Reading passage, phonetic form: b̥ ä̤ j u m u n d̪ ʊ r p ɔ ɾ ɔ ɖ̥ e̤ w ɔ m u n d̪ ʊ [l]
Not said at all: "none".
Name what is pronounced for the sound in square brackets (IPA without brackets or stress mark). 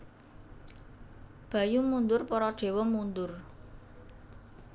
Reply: r